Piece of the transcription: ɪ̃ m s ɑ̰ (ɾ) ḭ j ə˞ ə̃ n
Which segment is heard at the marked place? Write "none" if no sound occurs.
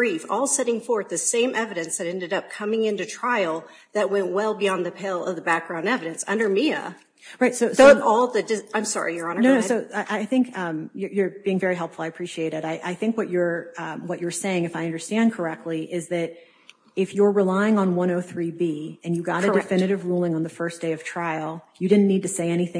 ɹ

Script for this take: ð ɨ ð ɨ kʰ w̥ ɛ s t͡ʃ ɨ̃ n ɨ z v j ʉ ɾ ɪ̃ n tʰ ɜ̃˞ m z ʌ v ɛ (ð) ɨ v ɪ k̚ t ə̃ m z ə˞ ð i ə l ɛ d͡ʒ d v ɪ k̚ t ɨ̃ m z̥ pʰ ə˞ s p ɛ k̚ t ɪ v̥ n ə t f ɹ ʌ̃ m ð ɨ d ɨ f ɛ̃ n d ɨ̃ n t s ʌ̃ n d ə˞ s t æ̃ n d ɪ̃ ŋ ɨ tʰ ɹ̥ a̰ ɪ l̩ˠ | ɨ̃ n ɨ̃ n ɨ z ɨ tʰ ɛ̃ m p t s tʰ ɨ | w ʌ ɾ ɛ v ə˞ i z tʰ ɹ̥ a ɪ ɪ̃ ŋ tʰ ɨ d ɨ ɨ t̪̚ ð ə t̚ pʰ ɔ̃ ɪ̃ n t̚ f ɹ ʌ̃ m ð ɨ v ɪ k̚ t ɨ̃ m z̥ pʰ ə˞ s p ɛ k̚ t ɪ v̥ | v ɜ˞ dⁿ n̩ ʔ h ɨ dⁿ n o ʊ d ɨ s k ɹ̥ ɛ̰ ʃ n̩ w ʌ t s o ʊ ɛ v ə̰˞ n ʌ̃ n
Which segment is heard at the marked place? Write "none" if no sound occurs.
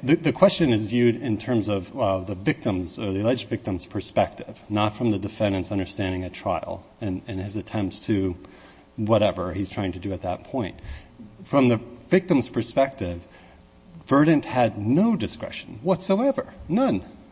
ð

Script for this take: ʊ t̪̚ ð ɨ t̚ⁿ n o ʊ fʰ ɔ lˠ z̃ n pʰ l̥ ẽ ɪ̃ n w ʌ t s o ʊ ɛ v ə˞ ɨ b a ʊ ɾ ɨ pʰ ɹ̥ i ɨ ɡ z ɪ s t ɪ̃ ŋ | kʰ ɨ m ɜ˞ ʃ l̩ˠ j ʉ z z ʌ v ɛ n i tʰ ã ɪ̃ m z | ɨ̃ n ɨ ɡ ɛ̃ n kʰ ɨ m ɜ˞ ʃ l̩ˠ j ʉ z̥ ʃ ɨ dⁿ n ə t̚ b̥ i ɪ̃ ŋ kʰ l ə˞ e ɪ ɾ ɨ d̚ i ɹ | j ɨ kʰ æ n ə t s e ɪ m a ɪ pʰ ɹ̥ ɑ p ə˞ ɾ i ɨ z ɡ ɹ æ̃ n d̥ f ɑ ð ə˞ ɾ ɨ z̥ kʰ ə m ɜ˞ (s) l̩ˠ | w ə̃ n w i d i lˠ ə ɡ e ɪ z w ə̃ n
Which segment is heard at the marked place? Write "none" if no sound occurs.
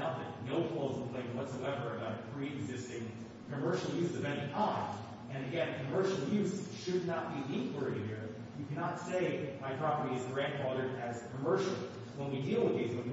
ʃ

